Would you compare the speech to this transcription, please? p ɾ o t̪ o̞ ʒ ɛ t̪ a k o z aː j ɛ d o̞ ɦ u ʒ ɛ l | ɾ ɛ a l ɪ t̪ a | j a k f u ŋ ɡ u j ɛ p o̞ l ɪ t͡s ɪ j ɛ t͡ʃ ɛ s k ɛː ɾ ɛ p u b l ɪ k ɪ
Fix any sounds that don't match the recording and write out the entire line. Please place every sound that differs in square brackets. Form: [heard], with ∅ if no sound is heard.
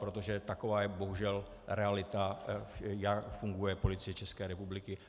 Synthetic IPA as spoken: p ɾ o t̪ o̞ ʒ ɛ t̪ a k o [v] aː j ɛ [b] o̞ ɦ u ʒ ɛ l | ɾ ɛ a l ɪ t̪ a | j a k f u ŋ ɡ u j ɛ p o̞ l ɪ t͡s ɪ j ɛ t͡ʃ ɛ s k ɛː ɾ ɛ p u b l ɪ k ɪ